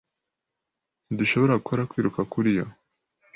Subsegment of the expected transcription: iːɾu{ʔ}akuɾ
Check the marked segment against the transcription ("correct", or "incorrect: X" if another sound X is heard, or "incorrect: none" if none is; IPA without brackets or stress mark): incorrect: k